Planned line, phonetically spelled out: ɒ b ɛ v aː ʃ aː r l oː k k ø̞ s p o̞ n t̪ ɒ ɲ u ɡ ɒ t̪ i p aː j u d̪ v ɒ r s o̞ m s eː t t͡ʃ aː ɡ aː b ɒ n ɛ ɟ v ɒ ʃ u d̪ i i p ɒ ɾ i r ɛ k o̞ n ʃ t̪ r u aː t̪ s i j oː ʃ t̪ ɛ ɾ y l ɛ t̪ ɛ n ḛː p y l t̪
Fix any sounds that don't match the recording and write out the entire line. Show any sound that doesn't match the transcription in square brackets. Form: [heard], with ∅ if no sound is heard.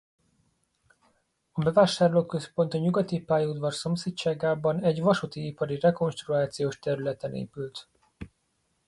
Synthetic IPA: ɒ b ɛ v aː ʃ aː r l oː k k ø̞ s p o̞ n t̪ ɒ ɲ u ɡ ɒ t̪ i p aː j u d̪ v ɒ r s o̞ m s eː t t͡ʃ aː ɡ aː b ɒ n ɛ ɟ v ɒ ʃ u [t̪] i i p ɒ ɾ i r ɛ k o̞ n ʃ t̪ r u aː t̪ s i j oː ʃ t̪ ɛ ɾ y l ɛ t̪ ɛ n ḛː p y l t̪